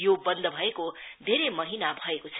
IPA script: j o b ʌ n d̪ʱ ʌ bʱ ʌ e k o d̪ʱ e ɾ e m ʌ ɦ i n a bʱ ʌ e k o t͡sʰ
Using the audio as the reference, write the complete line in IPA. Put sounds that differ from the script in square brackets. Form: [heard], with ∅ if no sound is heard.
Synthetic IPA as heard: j o b ʌ n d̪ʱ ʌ bʱ ʌ e k o d̪ʱ e ɾ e m ʌ ɦ i n a bʱ ʌ e k o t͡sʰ